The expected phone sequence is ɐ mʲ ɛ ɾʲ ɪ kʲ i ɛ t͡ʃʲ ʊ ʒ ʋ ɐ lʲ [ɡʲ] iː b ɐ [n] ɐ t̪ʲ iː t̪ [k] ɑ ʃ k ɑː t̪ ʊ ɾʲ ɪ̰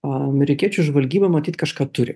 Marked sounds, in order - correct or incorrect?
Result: correct, incorrect: m, correct

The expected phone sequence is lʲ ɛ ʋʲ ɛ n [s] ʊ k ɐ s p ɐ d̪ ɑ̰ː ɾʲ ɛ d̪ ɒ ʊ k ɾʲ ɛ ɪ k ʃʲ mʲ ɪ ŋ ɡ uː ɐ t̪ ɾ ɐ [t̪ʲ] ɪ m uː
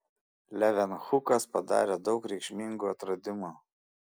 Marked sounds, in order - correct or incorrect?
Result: incorrect: x, incorrect: d̪ʲ

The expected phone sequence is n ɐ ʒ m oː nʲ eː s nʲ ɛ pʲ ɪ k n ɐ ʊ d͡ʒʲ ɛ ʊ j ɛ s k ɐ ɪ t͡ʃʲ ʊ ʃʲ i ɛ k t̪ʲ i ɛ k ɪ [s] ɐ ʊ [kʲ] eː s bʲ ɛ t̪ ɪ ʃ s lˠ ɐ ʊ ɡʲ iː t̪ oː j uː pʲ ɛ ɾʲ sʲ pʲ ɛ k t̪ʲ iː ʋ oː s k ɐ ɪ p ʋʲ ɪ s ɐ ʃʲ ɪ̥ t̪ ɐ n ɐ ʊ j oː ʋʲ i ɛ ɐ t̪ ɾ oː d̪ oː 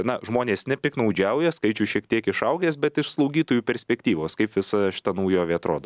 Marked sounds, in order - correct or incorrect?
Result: incorrect: ʃ, incorrect: ɡʲ

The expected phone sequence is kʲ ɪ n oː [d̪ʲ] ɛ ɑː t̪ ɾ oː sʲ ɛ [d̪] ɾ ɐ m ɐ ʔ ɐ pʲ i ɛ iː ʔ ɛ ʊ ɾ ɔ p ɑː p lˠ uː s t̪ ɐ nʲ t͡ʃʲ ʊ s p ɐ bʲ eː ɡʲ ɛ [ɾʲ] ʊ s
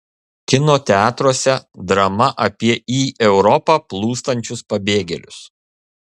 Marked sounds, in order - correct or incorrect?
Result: incorrect: t̪ʲ, correct, incorrect: lʲ

